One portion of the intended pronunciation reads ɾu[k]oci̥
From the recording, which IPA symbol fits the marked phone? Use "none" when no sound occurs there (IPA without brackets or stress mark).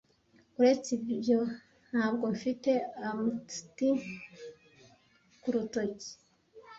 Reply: t